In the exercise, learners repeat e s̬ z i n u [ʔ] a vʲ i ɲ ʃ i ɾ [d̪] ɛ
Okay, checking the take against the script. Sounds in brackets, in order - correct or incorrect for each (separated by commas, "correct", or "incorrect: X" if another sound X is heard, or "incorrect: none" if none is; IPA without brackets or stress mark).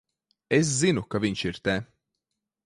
incorrect: k, incorrect: t̪